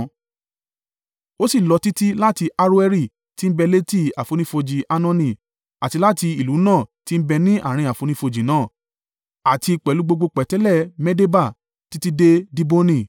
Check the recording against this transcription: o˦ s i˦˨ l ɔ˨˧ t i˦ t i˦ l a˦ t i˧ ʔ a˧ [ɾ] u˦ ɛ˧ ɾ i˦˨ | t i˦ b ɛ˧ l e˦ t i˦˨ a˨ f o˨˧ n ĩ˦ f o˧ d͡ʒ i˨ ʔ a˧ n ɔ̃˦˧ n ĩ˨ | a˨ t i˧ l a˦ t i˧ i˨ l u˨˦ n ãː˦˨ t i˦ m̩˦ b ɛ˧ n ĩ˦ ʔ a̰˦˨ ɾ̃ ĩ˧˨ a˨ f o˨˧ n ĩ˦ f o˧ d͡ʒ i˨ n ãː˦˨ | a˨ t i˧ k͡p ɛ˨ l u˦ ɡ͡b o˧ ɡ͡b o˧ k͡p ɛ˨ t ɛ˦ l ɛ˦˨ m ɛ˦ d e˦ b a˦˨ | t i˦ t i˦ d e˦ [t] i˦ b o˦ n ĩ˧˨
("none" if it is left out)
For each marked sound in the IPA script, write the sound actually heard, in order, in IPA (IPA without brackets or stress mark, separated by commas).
ɾ, d